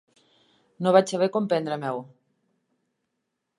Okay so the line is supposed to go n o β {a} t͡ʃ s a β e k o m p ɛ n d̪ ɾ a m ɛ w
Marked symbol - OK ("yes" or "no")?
yes